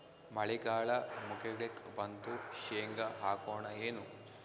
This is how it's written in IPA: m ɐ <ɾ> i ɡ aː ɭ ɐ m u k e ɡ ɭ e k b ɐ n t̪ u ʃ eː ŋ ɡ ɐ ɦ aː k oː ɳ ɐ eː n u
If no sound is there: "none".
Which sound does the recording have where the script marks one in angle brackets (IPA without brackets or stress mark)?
ɭ